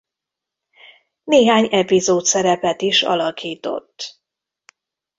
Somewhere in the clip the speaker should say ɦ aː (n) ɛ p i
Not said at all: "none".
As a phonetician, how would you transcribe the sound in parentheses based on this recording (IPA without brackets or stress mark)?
ɲ